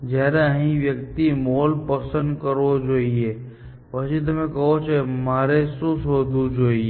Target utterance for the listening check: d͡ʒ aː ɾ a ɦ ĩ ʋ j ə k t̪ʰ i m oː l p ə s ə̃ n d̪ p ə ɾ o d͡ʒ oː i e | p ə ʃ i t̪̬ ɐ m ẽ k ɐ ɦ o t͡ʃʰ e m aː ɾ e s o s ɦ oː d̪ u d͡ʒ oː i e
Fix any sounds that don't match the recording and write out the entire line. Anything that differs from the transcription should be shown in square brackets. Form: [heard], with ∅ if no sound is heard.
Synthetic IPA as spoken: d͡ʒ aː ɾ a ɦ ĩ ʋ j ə k [t̪] i m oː l p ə s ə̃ n d̪ [k] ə ɾ o d͡ʒ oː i e | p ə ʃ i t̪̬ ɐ m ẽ k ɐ ɦ o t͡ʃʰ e m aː ɾ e s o s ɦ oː d̪ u d͡ʒ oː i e